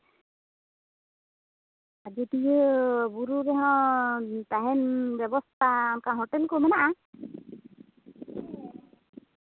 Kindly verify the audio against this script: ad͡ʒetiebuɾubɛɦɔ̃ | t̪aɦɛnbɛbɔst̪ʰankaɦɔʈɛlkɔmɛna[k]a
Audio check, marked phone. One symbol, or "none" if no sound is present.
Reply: ʔ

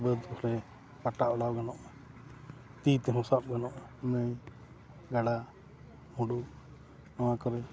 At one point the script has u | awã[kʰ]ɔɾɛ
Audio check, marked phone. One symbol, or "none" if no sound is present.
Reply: k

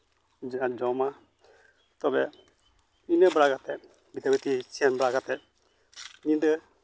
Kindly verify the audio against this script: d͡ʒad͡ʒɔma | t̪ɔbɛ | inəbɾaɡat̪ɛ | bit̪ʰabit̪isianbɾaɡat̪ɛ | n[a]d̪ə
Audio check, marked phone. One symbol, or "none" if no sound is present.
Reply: i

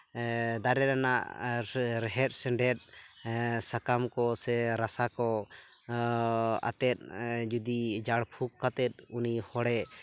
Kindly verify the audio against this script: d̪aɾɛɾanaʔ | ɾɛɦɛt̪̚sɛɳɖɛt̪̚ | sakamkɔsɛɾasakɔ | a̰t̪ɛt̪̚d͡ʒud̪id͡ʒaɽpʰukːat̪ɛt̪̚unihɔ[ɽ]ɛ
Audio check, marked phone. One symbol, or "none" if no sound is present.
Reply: ɽ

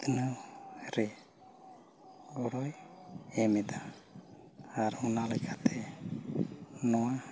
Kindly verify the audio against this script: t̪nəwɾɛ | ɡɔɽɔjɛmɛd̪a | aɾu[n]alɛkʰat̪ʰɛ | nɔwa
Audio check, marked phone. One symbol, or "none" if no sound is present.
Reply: n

